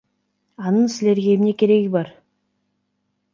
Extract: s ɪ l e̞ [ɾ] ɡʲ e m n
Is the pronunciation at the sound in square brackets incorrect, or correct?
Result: correct